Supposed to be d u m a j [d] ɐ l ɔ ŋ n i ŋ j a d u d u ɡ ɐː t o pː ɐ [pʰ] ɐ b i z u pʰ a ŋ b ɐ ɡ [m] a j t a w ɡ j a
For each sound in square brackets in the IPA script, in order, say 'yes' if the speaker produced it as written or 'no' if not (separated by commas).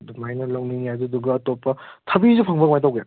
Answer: no, no, yes